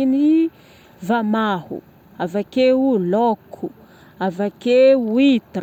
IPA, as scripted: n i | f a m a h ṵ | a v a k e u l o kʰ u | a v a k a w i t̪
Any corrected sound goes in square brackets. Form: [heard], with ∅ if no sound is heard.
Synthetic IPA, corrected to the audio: n i | [v] a m a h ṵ | a v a k e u l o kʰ u | a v a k [e] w i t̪

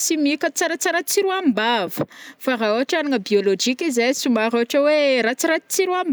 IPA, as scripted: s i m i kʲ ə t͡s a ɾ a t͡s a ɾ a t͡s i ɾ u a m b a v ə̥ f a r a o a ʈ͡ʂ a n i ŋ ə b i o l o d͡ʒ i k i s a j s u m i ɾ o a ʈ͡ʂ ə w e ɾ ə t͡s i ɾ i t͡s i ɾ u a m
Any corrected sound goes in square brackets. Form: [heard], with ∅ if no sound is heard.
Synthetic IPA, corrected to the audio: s i m i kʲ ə t͡s a ɾ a t͡s a ɾ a t͡s i ɾ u a m b a v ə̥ f a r a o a ʈ͡ʂ a n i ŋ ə b i o l o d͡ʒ i k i [z] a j s u m [a] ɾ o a ʈ͡ʂ ə w e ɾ [a] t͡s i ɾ [a] t͡s i ɾ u a m

